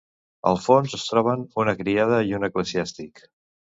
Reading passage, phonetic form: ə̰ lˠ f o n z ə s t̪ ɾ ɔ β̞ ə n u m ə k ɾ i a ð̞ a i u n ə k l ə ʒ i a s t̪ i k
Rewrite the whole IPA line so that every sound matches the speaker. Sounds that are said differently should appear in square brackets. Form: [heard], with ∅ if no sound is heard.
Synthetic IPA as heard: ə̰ lˠ f o n z ə s t̪ ɾ ɔ β̞ ə n u [n] ə k ɾ i a ð̞ [ə] i u n ə k l ə [z] i a s t̪ i k